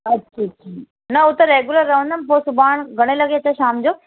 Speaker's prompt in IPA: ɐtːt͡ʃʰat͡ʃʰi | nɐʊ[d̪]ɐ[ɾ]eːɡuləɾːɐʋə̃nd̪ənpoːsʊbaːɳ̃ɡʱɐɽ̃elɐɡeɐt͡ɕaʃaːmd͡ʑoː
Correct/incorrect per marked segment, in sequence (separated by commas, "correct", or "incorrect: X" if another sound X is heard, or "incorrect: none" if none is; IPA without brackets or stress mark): incorrect: t̪, correct